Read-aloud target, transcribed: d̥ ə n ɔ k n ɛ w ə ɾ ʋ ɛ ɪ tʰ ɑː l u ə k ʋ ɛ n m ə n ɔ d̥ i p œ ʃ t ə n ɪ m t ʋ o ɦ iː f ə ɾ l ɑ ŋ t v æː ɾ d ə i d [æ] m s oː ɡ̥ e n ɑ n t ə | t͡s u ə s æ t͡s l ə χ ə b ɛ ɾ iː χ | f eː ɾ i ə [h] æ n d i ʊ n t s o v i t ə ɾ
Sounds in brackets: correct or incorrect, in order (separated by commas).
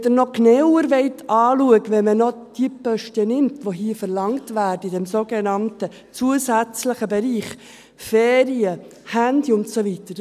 incorrect, correct